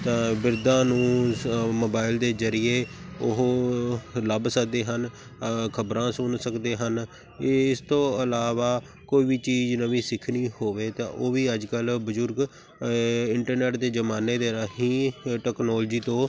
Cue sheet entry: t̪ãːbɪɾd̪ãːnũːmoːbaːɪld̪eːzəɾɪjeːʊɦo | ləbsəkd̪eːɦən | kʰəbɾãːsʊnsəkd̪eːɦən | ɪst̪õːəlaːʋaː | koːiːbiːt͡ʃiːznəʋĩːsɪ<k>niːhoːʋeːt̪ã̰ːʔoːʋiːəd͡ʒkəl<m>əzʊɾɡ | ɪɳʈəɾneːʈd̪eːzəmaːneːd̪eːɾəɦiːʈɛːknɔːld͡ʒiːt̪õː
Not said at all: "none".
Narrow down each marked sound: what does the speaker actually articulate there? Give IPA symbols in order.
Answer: kʰ, b

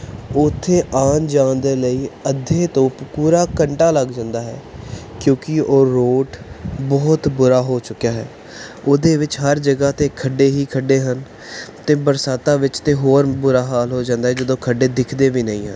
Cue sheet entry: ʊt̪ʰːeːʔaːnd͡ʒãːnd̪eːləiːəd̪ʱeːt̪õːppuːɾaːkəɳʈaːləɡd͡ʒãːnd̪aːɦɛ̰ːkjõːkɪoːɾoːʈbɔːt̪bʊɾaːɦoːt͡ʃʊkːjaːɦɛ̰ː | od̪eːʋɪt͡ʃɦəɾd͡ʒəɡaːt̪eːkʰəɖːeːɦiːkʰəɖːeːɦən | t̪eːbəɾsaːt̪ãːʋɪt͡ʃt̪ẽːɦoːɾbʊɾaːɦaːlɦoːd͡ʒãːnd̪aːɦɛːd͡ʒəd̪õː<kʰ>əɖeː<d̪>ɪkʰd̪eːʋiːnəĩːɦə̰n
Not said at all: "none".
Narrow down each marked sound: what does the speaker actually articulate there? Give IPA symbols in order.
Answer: kʰ, d̪

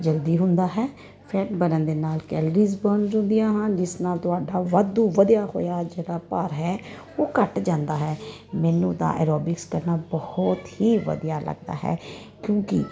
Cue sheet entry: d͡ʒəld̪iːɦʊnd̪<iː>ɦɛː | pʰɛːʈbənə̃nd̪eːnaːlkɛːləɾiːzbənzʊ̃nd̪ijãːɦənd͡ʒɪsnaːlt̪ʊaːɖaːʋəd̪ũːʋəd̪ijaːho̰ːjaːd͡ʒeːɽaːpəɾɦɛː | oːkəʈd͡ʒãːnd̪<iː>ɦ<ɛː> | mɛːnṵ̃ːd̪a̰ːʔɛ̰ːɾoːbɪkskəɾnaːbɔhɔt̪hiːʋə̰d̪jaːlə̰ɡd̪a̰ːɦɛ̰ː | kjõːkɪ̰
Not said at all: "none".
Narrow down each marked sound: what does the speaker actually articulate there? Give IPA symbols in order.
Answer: aː, aː, ɛː

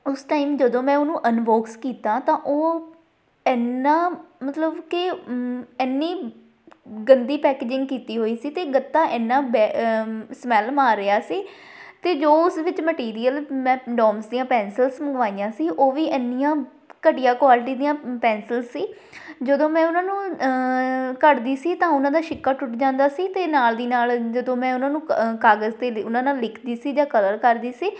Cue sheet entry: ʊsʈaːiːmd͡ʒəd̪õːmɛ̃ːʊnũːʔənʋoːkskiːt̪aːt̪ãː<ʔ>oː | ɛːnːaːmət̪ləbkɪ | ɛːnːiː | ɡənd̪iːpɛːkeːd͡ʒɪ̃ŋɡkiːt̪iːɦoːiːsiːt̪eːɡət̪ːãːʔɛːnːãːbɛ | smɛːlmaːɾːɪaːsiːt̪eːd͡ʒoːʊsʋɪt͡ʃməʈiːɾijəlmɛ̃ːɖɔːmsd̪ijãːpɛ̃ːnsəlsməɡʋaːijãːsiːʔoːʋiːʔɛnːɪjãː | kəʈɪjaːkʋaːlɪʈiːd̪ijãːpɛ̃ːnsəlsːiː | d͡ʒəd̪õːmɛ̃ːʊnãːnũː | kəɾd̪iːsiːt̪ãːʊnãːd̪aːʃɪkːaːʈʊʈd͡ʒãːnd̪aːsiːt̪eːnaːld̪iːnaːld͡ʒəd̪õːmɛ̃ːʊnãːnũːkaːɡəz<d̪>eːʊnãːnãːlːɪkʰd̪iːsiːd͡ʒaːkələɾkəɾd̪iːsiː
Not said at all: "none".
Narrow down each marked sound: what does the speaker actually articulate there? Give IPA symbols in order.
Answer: ʔ, t̪

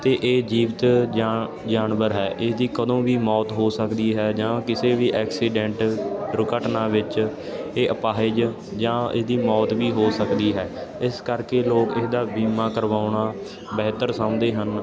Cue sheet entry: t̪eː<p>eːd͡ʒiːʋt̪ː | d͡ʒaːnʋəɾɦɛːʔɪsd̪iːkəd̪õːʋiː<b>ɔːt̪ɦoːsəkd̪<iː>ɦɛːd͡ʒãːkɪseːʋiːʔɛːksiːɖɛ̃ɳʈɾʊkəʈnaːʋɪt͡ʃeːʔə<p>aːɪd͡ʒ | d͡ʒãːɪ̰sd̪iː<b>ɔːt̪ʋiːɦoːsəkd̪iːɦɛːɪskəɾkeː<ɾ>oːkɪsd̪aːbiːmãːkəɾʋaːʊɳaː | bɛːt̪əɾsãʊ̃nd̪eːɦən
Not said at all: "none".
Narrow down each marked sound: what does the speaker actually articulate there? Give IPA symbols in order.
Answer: ʔ, m, iː, p, m, l

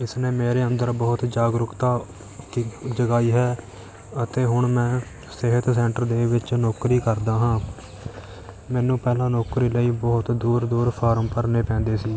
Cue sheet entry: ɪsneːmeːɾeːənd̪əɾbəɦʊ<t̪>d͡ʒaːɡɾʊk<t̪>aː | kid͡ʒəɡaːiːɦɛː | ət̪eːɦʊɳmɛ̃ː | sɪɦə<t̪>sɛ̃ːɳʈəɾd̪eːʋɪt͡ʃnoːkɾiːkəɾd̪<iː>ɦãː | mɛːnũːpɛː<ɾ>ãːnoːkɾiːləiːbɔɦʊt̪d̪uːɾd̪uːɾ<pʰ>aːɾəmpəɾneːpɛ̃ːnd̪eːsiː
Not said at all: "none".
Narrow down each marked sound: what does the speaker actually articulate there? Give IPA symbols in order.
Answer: t̪, t̪, t̪, aː, l, pʰ

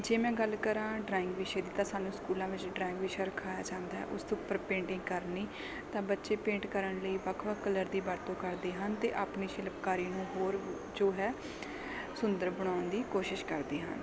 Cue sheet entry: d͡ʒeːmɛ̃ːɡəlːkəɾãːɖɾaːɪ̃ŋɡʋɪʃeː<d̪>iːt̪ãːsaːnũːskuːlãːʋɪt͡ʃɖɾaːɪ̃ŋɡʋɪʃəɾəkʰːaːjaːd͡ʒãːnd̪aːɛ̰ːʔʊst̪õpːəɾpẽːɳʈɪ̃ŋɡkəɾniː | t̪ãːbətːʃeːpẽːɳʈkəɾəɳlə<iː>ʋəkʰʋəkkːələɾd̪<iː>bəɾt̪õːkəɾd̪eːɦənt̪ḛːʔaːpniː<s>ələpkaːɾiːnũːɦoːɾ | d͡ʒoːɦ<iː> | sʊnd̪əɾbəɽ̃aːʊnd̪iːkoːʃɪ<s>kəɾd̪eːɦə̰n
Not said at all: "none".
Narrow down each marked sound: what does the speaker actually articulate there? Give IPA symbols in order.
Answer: d̪, iː, iː, ʃ, ɛː, ʃ

